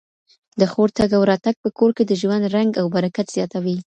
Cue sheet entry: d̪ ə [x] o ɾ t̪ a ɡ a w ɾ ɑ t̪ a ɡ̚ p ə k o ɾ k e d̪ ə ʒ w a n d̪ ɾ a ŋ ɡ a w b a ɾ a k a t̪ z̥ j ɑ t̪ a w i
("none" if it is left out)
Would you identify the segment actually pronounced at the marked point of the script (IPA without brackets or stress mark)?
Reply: x